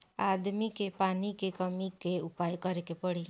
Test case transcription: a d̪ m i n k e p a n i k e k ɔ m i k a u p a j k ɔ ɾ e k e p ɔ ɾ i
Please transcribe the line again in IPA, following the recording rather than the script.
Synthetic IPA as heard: a d̪ m i k e p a n i k e k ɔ m i k e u p a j k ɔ ɾ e k e p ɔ ɽ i

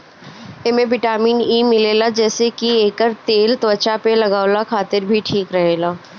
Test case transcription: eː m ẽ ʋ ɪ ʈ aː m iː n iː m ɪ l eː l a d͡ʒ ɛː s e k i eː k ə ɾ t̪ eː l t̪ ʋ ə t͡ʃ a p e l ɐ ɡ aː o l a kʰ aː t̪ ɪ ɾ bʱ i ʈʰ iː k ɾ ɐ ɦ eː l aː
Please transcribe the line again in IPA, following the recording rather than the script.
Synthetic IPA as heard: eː m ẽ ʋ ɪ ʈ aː m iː n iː m ɪ l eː l a d͡ʒ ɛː s e k i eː k ə ɾ t̪ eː l t̪ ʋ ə t͡ʃ a p e l ɐ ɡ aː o l a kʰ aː t̪ ɪ ɾ bʱ i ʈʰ iː k ɾ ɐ ɦ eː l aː

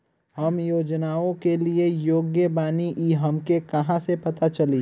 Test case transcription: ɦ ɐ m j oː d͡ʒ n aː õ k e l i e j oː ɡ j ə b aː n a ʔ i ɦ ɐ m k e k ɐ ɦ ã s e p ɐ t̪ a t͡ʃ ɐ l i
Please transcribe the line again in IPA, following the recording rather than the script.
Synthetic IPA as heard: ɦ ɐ m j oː d͡ʒ n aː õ k e l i e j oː ɡ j ə b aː n i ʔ i ɦ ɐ m k e k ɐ ɦ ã s e p ɐ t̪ a t͡ʃ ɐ l i

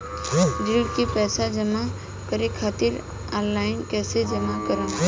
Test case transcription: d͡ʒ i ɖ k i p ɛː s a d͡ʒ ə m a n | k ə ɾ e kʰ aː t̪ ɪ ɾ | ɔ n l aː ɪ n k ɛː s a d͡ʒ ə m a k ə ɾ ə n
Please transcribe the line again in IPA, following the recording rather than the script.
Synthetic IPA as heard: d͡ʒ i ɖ k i p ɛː s a d͡ʒ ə m a | k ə ɾ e kʰ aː t̪ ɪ ɾ | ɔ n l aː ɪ n k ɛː s e d͡ʒ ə m a k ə ɾ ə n

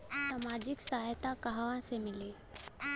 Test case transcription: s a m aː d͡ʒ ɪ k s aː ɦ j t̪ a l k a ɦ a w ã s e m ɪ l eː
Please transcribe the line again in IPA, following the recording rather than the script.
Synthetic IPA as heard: s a m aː d͡ʒ ɪ k s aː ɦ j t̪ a k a ɦ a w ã s e m ɪ l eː

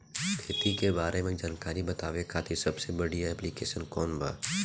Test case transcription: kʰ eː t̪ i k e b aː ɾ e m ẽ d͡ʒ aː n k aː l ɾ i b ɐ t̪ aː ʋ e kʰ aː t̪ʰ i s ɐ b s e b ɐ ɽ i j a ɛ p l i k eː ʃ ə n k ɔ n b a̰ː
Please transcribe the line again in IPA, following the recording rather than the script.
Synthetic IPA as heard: kʰ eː t̪ i k e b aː ɾ e m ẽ d͡ʒ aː n k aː ɾ i b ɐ t̪ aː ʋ e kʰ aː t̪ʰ i s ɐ b s e b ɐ ɽ i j a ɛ p l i k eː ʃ ə n k ɔː n b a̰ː

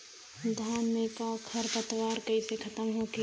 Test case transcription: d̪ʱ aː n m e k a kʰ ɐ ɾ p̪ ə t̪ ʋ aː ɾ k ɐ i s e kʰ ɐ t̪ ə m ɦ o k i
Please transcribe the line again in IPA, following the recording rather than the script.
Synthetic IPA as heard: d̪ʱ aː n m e k a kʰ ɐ ɾ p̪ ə t̪ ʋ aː ɾ k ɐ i s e kʰ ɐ t̪ ə m ɦ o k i

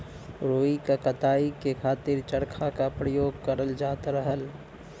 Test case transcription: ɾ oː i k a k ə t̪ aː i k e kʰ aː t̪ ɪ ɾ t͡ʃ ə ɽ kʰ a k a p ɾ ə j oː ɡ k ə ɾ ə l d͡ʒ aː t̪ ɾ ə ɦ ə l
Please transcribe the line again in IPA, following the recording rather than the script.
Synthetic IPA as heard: ɾ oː i k a k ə t̪ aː i k e kʰ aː t̪ ɪ ɾ t͡ʃ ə ɽ kʰ a k a p ɾ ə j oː ɡ k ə ɾ ə l d͡ʒ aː t̪ ɾ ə ɦ ə l

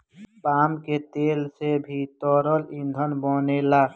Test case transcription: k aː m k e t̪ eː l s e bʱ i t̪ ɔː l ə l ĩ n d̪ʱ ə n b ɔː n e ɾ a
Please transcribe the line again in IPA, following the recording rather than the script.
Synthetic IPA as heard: p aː m k e t̪ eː l s e bʱ i t̪ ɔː ɾ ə l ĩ n d̪ʱ ə n b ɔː n e l a

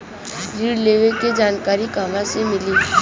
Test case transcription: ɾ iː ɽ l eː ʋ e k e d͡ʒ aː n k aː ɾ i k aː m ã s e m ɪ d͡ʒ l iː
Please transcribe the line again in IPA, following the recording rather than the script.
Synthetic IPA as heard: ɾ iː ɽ l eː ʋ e k e d͡ʒ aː n k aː ɾ i k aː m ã s e m ɪ l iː

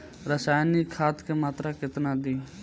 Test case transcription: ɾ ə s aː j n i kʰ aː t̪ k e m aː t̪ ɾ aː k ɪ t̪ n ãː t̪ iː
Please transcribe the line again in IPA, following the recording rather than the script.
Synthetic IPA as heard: ɾ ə s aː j n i kʰ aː t̪ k e m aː t̪ ɾ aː k ɪ t̪ n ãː d̪ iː

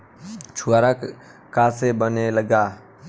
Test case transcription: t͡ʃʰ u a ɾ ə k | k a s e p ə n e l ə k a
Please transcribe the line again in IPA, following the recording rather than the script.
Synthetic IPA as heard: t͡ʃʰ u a ɾ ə k | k a s e b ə n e l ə ɡ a

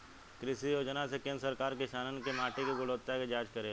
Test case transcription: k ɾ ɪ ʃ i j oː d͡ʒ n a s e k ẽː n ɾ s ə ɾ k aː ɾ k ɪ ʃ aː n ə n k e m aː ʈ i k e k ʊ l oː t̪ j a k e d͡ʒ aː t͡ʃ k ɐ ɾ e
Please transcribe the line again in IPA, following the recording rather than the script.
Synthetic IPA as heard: k ɾ ɪ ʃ i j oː d͡ʒ n a s e k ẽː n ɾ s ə ɾ k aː ɾ k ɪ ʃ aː n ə n k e m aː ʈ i k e ɡ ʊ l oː t̪ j a k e d͡ʒ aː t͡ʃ k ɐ ɾ e

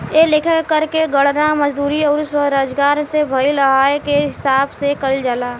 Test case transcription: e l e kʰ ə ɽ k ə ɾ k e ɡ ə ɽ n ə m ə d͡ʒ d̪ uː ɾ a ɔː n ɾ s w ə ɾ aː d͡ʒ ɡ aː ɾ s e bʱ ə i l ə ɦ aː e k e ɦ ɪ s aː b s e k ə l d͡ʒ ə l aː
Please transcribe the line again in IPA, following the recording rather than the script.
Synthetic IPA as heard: e l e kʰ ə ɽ k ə ɾ k e ɡ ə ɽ n a m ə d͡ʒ d̪ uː ɾ i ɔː ɾ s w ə ɾ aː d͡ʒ ɡ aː ɾ s e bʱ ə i l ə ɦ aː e k e ɦ ɪ s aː b s e k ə l d͡ʒ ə l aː

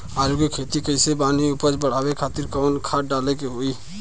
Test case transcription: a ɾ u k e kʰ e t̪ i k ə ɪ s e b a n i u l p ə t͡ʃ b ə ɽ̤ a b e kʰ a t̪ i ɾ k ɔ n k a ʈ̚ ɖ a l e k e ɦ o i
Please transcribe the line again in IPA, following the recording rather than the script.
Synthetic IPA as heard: a ɾ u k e kʰ e t̪ i k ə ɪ s e b a n i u p ə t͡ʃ b ə ɽ̤ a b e kʰ a t̪ i ɾ k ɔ n kʰ a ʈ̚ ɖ a l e k e ɦ o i

